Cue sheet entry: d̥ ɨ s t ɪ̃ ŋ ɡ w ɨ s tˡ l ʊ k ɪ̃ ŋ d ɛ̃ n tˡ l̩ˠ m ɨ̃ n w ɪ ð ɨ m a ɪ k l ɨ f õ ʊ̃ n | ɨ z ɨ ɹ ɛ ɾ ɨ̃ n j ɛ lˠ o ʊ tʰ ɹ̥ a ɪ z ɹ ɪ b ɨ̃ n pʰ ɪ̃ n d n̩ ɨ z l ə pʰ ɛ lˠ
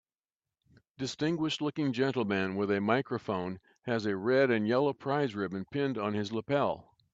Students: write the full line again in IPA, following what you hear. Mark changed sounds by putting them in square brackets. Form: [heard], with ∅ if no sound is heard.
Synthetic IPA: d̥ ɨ s t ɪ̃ ŋ ɡ w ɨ [ʃ] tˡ l ʊ k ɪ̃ ŋ [d͡ʒ] ɛ̃ n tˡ l̩ˠ m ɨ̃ n w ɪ ð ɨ m a ɪ k [ɹ] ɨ f õ ʊ̃ n | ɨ z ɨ ɹ ɛ ɾ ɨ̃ n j ɛ lˠ o ʊ [pʰ] ɹ̥ a ɪ z ɹ ɪ b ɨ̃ n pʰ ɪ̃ n d n̩ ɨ z l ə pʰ ɛ lˠ